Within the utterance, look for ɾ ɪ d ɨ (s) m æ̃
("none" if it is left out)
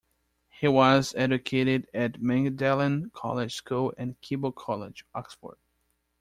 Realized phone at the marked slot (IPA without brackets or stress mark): t